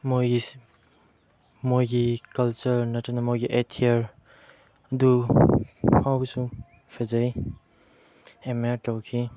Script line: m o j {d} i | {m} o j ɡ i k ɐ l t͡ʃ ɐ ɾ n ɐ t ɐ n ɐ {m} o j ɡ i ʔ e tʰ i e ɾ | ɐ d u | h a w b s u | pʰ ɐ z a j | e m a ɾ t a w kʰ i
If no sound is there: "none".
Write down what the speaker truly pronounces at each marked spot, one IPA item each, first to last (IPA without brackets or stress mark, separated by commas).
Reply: ɡ, m, m